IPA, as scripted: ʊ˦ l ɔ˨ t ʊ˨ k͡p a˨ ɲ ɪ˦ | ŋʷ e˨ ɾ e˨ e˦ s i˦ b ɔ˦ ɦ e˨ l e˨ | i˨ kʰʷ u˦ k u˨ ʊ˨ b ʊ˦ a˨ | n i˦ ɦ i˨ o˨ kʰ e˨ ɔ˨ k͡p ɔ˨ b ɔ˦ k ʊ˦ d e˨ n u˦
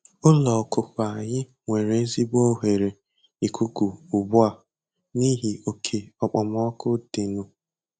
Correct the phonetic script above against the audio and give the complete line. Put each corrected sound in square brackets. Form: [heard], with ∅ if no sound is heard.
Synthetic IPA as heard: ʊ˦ l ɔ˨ [k] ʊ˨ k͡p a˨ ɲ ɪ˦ | ŋʷ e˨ ɾ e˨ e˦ [z] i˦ b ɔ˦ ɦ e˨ [ɾ] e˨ | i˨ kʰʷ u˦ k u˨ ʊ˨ b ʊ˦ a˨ | n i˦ ɦ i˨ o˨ kʰ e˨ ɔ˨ k͡p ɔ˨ [m] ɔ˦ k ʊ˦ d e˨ n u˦